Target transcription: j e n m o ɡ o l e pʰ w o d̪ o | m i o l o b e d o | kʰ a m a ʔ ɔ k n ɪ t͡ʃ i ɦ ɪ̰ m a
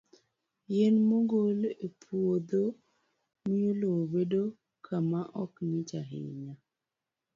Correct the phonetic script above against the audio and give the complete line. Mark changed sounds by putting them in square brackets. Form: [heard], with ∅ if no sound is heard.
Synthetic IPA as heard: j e n m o ɡ o l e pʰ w o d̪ o | m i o l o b e d o | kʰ a m a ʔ ɔ k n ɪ t͡ʃ [a] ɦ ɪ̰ [ɲ] a